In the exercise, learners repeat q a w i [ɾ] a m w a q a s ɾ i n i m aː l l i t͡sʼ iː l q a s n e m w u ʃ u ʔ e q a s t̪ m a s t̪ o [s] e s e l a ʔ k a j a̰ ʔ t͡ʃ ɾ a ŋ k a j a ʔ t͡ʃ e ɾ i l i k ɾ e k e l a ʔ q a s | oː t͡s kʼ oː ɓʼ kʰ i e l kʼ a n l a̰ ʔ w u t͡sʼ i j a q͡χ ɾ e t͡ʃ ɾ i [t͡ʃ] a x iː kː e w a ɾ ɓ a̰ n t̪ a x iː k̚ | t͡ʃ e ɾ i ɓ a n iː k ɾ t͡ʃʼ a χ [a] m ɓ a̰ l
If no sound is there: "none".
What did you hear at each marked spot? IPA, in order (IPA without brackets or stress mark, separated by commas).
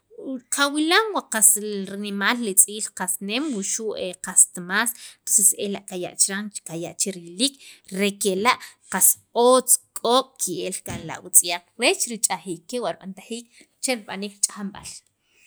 l, s, t͡ʃʼ, a